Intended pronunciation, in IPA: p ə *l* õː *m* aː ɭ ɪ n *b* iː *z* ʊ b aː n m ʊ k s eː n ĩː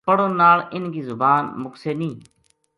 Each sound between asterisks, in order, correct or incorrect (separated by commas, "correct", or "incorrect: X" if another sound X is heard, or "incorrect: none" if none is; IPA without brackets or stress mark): incorrect: ɽ, incorrect: n, incorrect: ɡ, correct